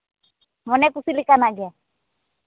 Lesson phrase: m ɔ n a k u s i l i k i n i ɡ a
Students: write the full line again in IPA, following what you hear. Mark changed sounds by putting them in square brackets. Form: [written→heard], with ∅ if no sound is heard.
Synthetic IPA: m ɔ n [a→ɛ] k u s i l i k [i→a] n [i→a] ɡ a